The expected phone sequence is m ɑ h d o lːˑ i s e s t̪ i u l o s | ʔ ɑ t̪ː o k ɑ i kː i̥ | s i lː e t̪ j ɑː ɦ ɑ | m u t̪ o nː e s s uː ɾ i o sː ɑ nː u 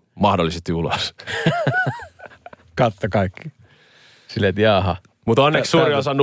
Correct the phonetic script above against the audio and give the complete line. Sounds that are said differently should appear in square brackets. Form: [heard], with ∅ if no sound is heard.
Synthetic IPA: m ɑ h d o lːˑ i s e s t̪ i u l o s | [k] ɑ t̪ː o k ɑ i kː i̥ | s i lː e t̪ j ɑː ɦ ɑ | m u t̪ o nː e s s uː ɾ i o [s] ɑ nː u